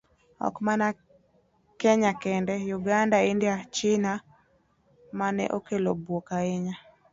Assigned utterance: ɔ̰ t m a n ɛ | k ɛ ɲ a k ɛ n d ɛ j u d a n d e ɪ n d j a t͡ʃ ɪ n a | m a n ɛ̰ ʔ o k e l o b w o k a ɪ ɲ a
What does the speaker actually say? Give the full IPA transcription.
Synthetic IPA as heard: ɔ̰ k m a n a | k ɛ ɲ a k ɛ n d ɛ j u ɡ a n d a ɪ n d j a t͡ʃ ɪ n a | m a n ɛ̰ ʔ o k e l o b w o k a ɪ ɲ a